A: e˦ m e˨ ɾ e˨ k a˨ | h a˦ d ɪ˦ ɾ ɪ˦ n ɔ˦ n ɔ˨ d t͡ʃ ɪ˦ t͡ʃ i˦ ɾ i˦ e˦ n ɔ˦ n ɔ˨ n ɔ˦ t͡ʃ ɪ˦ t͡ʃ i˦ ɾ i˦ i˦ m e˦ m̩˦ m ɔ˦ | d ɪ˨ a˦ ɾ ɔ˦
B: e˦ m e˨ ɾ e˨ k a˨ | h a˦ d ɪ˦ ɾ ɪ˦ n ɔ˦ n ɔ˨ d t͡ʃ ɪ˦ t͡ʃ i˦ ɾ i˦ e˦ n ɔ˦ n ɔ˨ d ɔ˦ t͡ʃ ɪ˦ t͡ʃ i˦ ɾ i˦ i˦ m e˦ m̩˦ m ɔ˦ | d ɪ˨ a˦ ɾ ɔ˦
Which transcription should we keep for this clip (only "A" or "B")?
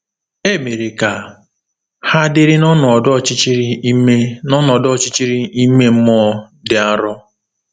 B